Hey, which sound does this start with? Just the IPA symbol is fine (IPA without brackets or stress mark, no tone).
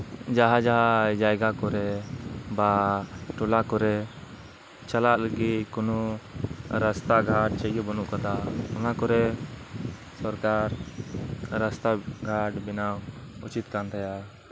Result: d͡ʒ